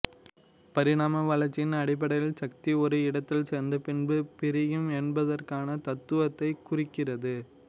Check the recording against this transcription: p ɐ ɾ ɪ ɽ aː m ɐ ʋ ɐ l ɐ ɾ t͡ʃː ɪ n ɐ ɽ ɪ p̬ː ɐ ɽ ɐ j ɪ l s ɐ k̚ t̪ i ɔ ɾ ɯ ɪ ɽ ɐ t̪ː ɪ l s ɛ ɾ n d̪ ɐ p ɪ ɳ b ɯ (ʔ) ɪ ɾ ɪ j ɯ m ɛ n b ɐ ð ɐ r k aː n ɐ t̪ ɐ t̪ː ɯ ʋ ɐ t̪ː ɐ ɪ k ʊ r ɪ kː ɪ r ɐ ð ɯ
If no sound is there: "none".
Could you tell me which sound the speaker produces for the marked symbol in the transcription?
p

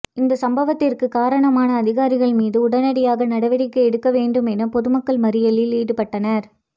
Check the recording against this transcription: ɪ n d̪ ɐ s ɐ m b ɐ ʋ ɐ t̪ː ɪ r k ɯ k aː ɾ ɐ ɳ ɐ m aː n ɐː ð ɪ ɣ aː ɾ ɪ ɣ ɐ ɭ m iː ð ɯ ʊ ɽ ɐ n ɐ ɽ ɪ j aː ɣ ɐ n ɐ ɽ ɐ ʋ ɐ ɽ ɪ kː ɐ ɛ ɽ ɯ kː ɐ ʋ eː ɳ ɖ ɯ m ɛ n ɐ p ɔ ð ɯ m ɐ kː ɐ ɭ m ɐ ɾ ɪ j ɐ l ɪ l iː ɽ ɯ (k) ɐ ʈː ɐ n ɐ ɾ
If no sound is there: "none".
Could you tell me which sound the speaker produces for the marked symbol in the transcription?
p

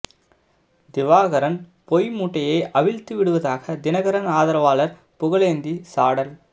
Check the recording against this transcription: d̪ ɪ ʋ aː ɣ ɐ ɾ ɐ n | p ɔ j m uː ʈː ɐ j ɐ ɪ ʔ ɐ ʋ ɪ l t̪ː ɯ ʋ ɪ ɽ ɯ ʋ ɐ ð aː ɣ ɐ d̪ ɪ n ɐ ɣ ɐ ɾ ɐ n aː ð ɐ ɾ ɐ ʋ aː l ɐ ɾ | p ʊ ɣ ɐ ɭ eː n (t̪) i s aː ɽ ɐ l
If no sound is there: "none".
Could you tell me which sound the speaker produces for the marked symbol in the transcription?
d̪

